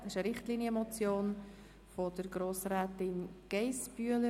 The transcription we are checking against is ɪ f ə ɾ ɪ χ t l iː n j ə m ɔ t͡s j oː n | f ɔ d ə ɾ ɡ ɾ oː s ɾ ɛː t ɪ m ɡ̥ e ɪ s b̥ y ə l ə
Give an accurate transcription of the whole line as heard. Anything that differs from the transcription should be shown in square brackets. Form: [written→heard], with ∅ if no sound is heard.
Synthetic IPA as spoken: ɪ [f→ʃ] ə ɾ ɪ χ t l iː n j ə m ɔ t͡s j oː n | f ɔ d ə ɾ ɡ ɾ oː s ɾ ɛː t ɪ [m→n] ɡ̥ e ɪ s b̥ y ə l ə